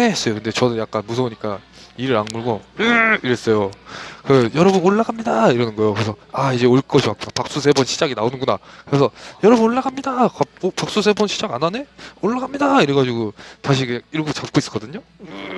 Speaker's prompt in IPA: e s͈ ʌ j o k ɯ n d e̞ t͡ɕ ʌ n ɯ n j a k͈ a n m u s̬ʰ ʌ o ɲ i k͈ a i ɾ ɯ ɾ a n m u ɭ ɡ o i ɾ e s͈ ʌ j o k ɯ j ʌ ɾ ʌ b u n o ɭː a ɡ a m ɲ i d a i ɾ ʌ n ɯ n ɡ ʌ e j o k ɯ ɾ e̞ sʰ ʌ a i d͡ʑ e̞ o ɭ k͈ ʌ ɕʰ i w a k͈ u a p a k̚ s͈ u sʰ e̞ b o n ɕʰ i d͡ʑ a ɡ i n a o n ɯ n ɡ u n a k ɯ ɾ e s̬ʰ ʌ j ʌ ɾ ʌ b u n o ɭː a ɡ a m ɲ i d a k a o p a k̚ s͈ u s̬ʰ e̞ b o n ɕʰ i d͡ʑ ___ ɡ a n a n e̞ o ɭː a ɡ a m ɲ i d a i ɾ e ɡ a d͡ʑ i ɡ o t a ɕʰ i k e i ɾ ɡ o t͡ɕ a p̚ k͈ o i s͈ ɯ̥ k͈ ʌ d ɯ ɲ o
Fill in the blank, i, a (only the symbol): a